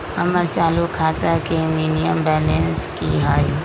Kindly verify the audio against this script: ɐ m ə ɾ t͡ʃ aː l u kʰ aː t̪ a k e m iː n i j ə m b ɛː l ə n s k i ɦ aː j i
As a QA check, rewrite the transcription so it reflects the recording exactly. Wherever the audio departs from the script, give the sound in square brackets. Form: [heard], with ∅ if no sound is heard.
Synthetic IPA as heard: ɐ m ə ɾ t͡ʃ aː l u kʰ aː t̪ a k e m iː n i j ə m b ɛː l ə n s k i ɦ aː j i